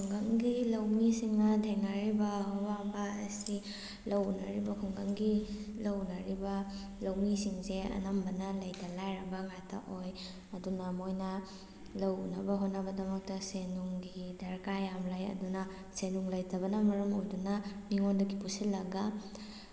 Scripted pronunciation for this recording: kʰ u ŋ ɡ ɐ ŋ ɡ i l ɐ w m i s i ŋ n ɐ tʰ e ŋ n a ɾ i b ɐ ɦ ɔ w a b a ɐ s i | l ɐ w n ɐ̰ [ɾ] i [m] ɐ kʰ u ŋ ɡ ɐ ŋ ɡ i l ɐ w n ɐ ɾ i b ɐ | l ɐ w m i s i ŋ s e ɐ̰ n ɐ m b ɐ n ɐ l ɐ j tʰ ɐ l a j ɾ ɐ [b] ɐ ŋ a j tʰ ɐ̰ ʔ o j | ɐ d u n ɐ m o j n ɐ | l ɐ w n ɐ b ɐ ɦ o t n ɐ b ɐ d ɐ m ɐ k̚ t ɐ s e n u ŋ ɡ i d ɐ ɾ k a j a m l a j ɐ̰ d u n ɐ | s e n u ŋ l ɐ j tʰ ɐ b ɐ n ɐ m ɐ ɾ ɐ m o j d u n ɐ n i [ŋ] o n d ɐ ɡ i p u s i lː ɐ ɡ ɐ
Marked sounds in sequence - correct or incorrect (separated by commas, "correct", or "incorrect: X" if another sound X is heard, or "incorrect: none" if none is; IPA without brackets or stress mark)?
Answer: correct, incorrect: b, correct, correct